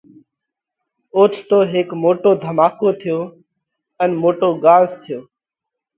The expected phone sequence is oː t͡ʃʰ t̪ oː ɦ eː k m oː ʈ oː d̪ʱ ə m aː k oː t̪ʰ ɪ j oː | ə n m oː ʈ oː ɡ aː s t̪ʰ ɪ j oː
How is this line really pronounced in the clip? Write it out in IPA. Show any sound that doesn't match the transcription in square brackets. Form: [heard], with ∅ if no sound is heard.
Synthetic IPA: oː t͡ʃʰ t̪ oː ɦ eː k m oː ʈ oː d̪ʱ ə m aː k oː t̪ʰ ɪ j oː | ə n m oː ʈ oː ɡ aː [z] t̪ʰ ɪ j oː